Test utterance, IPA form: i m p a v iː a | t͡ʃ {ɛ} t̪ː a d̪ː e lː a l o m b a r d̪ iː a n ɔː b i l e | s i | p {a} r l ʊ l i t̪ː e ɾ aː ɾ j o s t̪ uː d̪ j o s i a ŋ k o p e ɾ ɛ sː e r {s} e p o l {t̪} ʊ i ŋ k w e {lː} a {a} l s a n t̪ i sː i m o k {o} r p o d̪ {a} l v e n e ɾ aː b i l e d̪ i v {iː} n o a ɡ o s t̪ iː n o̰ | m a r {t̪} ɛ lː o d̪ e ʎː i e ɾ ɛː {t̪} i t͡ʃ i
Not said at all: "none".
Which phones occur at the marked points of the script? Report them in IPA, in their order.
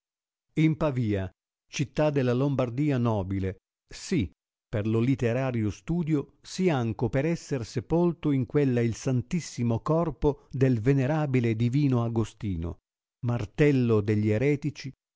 i, e, s, t̪, lː, i, ɔ, e, iː, t̪, t̪

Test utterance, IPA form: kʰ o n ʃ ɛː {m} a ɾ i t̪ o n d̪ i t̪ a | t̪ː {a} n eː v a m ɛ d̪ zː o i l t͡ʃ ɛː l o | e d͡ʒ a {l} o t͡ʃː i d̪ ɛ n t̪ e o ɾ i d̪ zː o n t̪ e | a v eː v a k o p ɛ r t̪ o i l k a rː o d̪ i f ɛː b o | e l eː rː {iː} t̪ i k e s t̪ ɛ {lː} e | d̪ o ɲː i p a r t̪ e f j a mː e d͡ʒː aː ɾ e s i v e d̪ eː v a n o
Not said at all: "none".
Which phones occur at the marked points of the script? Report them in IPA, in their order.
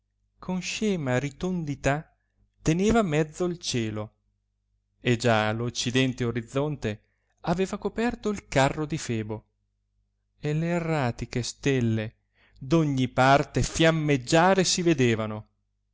m, e, l, aː, lː

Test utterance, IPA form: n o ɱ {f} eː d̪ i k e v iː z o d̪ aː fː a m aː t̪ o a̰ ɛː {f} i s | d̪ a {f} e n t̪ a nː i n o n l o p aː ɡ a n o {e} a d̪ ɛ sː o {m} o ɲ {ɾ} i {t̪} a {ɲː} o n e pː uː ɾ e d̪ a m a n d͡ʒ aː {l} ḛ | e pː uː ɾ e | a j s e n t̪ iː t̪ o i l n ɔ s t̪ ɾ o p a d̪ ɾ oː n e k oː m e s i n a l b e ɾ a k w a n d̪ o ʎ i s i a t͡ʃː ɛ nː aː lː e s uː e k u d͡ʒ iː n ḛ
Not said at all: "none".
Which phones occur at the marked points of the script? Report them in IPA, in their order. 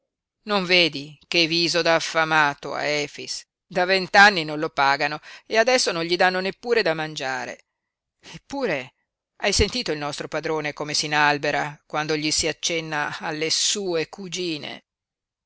v, f, v, e, n, ʎ, d̪, nː, ɾ

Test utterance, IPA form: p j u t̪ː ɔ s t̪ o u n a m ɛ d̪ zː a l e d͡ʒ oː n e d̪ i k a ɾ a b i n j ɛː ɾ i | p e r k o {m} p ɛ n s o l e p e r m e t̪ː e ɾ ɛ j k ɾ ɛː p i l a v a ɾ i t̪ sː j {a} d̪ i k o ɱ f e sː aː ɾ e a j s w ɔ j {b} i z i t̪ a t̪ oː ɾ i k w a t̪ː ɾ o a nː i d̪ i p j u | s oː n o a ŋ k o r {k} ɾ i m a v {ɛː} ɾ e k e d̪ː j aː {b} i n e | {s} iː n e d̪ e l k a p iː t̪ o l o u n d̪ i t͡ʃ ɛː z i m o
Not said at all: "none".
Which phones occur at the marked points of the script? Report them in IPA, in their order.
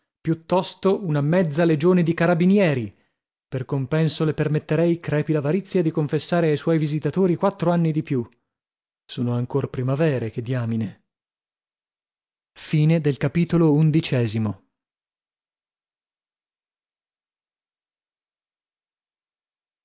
m, a, v, p, ɛː, m, f

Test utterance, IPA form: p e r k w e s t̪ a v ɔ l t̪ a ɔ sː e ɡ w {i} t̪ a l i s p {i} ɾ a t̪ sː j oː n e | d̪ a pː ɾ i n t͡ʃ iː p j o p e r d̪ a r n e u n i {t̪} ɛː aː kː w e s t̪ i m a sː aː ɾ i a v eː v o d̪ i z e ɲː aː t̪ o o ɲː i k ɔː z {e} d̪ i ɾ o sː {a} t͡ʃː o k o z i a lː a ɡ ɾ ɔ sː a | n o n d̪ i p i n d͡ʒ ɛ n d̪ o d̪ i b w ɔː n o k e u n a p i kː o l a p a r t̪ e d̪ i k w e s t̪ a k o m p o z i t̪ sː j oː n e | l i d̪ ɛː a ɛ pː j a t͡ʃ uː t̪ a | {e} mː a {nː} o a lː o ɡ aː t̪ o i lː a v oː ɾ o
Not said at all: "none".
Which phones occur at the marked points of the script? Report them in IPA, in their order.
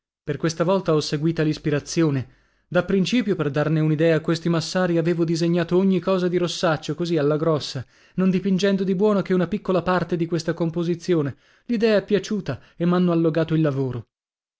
iː, i, d̪, a, a, e, nː

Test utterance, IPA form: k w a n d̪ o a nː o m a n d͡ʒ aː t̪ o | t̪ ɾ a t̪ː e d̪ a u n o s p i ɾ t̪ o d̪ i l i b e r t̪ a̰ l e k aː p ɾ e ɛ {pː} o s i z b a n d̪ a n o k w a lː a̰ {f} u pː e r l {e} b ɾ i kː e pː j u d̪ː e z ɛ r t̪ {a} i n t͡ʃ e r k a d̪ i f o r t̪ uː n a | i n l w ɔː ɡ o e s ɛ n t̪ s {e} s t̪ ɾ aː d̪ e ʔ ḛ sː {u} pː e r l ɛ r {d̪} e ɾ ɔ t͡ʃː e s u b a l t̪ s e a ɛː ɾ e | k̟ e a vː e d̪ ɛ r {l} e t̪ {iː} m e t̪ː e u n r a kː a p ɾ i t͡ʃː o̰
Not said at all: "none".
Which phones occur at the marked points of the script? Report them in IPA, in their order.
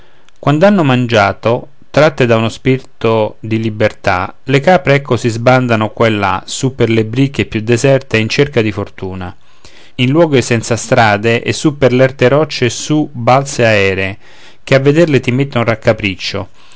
kː, s, e, e, a, u, t̪, l, i

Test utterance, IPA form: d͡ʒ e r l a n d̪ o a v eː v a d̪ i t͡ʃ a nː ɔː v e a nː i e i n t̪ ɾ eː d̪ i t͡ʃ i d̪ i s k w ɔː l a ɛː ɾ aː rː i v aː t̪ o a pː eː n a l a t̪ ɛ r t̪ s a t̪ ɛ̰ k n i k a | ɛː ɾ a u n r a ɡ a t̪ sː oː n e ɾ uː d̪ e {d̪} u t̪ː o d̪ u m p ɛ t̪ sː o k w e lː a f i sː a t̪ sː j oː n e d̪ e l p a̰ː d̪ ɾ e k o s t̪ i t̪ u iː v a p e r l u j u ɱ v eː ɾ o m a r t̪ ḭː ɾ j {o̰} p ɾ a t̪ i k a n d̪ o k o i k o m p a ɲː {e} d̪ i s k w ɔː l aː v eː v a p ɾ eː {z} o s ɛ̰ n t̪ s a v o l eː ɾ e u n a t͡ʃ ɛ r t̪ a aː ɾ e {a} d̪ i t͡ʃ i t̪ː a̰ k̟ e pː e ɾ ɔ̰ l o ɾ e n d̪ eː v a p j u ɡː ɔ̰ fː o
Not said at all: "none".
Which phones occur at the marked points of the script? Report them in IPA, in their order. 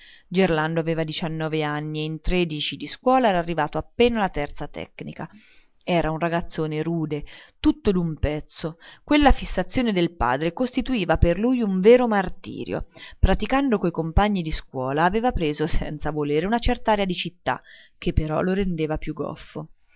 t̪, o̰, i, z, a

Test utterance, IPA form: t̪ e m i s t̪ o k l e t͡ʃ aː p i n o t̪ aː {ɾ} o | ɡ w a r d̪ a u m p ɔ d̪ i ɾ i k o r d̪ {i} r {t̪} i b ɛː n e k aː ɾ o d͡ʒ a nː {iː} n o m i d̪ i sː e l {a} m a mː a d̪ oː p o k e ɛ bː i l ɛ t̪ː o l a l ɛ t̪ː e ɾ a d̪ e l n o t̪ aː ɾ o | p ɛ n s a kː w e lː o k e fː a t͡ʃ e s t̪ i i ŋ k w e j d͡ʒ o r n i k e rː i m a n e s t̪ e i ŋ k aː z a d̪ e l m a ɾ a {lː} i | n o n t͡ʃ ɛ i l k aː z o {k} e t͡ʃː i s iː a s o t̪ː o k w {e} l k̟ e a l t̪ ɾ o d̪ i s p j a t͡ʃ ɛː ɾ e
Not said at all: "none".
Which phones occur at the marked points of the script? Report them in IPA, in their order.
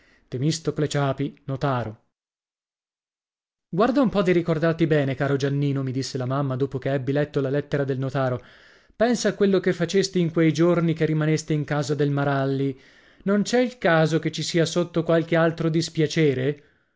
ɾ, a, t̪, iː, a, lː, k, a

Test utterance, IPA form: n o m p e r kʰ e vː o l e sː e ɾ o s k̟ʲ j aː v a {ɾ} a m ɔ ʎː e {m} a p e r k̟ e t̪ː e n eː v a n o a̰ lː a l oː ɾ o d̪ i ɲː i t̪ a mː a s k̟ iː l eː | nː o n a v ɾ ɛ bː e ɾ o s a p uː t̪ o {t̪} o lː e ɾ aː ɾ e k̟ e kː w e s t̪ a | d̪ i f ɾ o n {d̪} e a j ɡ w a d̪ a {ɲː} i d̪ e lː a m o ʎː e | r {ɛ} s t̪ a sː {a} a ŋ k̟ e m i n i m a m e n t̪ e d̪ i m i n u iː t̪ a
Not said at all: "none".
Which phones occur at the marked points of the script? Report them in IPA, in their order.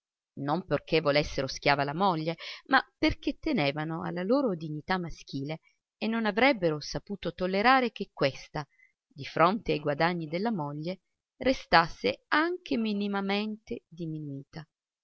l, m, t̪, t̪, ɲː, e, e

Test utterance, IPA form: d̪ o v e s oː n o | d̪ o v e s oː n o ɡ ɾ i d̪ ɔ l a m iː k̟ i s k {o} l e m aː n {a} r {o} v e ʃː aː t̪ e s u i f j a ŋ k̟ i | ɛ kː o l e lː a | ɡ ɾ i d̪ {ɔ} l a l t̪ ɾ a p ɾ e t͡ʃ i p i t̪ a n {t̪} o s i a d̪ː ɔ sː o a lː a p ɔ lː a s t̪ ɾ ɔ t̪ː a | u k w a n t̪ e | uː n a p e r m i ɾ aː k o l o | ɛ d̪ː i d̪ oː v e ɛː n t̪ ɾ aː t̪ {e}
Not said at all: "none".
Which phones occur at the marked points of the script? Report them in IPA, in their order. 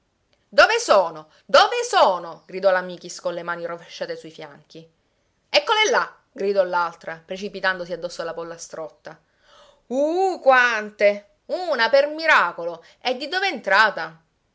o, i, o, ɔ, d̪, a

